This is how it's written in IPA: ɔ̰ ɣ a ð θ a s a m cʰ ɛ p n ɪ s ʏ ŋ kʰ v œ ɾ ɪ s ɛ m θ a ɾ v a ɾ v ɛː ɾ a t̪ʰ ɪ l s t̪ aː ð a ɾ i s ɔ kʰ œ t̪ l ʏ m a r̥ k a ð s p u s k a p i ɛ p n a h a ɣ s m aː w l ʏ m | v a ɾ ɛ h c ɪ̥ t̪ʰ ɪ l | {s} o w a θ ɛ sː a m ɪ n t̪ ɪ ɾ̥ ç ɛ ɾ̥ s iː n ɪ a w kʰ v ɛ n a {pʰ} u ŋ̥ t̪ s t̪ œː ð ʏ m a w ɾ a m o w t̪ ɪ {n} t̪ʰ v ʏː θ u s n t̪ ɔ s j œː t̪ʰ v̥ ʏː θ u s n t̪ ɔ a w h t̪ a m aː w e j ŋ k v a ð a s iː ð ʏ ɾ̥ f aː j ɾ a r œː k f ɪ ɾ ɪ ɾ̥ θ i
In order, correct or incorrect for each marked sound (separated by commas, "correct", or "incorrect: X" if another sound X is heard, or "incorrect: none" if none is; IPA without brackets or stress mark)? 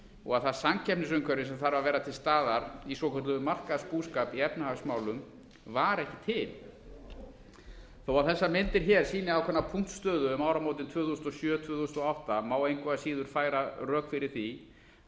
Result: incorrect: θ, correct, correct